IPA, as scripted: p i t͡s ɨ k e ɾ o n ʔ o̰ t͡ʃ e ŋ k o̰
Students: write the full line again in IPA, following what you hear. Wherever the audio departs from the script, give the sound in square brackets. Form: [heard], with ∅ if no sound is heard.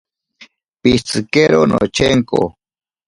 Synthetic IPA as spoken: p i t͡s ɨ k e ɾ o n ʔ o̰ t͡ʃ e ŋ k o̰